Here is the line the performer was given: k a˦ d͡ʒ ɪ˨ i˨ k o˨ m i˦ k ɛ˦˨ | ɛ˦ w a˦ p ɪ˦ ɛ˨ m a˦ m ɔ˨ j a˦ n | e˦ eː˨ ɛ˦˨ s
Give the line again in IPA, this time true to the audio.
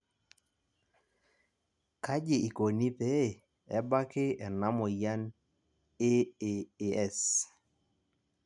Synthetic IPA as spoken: k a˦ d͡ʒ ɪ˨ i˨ k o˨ n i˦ p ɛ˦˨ | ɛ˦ b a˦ k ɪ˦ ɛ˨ n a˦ m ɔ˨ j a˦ n | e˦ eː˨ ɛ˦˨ s